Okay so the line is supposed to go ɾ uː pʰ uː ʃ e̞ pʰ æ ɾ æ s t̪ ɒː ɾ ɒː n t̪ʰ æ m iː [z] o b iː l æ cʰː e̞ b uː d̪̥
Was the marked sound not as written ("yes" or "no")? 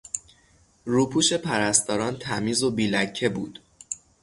no